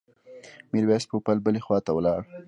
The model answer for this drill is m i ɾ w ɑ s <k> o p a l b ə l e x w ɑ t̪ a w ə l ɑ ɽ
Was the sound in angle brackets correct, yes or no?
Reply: no